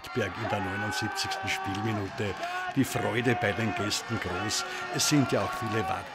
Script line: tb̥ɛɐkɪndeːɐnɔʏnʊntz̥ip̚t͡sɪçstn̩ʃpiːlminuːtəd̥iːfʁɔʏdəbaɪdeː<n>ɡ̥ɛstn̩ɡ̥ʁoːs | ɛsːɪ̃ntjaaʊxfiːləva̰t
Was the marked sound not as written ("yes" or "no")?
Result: no